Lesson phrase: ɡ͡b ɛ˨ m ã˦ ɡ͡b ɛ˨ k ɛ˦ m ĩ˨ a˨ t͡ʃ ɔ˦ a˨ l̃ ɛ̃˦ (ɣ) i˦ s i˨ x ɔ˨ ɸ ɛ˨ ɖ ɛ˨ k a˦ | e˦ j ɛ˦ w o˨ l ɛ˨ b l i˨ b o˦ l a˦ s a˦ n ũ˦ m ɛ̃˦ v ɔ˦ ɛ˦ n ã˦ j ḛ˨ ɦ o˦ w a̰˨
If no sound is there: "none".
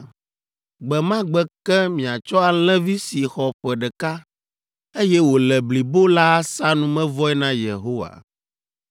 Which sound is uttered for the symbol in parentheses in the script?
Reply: v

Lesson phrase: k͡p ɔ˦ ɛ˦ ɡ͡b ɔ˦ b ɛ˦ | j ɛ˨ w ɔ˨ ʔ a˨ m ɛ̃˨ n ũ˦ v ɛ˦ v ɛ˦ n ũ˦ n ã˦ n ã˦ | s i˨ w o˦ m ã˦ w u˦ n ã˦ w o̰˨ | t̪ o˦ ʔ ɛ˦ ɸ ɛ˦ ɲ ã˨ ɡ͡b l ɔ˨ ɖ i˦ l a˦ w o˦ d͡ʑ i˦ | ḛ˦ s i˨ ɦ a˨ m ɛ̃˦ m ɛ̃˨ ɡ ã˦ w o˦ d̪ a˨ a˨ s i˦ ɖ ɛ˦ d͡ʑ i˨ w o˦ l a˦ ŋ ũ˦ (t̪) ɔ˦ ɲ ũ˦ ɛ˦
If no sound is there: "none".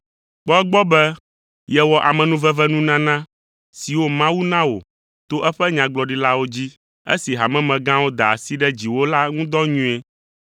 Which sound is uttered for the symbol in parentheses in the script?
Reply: d̪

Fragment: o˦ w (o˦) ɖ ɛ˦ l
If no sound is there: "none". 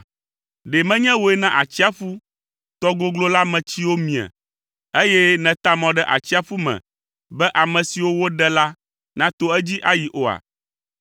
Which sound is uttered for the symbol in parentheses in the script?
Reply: o˦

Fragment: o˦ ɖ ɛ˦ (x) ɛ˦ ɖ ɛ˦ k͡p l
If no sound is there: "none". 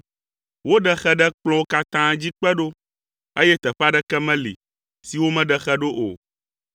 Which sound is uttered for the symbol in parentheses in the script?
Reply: x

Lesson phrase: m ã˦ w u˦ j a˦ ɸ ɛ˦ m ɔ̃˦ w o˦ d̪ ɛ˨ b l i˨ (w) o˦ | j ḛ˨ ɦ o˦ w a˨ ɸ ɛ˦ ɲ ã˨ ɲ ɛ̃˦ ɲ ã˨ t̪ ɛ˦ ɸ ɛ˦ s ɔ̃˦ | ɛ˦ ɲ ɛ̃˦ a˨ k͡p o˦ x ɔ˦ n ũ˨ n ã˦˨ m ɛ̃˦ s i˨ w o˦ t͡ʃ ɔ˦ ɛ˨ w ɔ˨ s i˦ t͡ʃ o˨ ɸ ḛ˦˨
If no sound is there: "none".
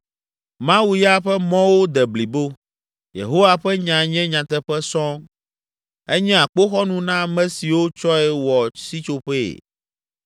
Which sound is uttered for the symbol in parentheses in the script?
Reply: b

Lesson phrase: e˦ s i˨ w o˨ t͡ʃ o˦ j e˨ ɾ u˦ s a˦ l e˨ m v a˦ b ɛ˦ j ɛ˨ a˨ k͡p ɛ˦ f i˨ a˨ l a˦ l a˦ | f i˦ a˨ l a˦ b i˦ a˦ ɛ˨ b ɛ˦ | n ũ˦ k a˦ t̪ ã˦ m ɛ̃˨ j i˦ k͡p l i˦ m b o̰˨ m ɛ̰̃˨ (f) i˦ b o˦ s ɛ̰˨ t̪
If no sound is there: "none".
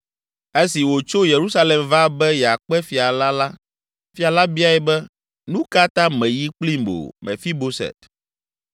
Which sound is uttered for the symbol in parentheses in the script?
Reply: f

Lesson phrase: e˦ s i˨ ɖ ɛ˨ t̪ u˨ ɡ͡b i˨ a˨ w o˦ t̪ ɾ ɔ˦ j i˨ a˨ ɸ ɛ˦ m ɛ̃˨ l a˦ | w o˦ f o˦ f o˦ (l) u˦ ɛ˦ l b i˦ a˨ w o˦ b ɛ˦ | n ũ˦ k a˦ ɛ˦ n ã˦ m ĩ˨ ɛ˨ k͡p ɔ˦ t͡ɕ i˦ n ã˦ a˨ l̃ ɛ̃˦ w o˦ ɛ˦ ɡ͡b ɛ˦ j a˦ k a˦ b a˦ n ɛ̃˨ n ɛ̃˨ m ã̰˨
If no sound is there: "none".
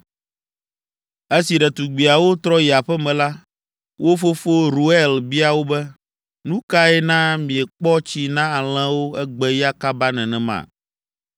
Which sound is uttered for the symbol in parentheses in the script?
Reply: ɾ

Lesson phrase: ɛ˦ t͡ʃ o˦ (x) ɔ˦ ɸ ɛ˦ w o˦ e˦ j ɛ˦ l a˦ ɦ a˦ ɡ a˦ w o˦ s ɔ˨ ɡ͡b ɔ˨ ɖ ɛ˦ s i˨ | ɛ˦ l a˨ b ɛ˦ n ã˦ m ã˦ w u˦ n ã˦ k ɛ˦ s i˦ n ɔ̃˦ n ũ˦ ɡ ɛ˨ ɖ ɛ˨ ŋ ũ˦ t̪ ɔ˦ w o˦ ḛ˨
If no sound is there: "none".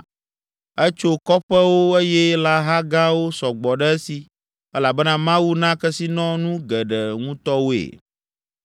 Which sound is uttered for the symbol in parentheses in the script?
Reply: k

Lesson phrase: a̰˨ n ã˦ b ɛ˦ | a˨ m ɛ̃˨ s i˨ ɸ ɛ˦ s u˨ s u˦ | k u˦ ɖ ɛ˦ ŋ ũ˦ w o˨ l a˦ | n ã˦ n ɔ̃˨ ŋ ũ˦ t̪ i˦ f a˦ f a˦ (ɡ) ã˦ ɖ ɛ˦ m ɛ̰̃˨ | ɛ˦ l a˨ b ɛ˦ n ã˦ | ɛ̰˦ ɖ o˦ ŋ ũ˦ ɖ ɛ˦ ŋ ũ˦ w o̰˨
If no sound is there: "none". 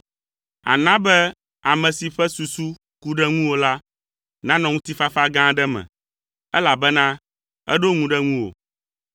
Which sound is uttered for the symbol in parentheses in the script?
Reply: ɡ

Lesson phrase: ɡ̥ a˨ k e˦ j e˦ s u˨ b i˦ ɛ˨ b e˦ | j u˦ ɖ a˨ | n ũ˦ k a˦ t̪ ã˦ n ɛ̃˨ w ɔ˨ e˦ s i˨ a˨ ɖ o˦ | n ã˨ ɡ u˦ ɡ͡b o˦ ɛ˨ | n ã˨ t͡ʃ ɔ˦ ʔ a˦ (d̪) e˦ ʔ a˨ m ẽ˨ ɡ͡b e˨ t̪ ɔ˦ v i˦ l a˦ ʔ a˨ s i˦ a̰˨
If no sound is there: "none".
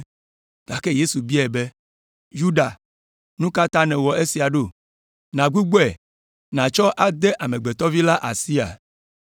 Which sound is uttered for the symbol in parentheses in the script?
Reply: d̪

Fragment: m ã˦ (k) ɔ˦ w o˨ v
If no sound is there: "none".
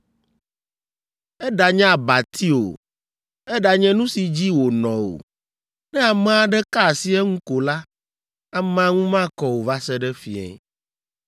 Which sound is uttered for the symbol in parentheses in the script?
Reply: k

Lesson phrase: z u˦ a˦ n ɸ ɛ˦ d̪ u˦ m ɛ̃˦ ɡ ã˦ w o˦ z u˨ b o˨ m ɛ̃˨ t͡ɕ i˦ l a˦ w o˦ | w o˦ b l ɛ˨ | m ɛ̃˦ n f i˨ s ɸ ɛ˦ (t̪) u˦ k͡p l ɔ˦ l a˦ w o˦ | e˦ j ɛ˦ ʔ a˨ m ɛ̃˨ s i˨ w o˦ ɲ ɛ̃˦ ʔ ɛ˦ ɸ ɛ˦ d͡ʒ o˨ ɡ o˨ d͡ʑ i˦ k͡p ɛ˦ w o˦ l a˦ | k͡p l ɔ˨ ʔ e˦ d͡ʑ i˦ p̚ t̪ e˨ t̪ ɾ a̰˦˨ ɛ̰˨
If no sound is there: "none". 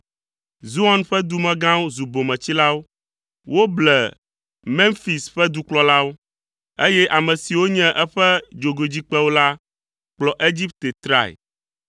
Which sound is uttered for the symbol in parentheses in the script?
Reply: d̪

